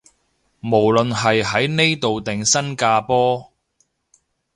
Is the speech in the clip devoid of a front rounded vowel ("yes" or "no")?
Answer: yes